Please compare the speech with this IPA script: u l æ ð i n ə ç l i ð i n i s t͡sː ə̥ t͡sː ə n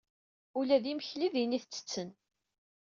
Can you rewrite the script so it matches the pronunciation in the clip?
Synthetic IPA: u l æ ð i m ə ç l i ð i n i θ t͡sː ə̥ t͡sː ə n